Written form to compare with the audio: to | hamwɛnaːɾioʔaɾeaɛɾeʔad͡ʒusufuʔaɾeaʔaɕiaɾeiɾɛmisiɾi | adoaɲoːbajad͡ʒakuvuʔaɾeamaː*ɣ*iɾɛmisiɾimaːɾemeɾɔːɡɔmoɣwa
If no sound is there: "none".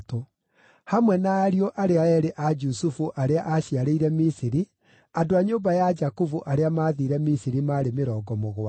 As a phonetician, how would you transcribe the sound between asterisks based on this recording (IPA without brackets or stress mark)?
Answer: ð